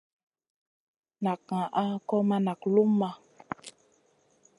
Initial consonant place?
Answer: alveolar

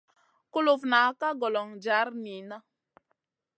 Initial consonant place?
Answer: velar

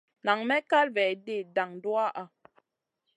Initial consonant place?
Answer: alveolar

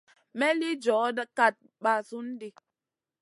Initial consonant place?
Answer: labial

